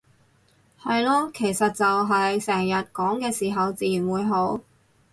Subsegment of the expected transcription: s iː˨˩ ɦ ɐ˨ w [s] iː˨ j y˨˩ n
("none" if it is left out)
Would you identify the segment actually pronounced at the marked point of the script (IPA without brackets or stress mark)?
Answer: t͡s